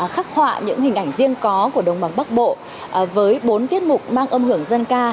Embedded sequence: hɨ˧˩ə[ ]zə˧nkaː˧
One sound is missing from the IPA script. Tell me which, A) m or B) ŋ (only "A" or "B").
B